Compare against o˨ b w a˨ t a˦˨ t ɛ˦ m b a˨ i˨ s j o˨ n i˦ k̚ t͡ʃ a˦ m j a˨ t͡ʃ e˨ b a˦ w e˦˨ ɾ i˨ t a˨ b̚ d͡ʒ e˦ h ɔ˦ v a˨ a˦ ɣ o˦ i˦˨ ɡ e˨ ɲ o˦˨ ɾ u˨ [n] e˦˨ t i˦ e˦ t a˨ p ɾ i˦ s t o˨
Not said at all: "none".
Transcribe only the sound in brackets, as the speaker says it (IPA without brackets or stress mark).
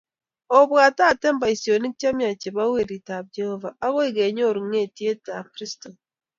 ŋ